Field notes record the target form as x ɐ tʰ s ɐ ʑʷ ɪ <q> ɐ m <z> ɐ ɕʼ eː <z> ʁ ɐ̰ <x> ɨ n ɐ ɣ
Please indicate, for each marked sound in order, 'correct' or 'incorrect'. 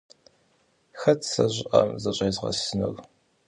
incorrect: ʔ, correct, correct, incorrect: s

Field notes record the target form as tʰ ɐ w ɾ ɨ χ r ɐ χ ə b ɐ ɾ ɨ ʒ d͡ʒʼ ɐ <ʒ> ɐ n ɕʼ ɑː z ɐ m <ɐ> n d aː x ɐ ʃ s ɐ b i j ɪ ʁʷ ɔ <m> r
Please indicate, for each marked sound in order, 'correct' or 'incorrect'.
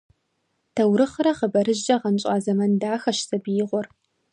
incorrect: ʁ, correct, incorrect: none

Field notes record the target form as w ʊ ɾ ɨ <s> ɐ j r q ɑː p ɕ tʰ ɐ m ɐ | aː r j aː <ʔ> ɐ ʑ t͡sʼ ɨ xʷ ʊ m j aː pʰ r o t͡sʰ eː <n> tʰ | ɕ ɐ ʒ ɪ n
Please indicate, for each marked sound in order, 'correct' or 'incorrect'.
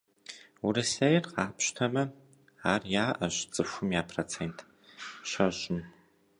correct, correct, correct

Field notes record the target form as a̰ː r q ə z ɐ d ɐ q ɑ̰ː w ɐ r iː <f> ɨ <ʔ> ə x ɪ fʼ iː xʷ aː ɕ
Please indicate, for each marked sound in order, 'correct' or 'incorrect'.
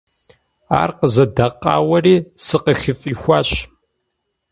incorrect: s, incorrect: q

